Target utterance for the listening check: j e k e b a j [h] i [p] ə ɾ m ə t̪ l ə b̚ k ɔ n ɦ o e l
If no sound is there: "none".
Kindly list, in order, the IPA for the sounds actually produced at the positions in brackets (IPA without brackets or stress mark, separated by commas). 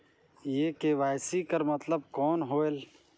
s, k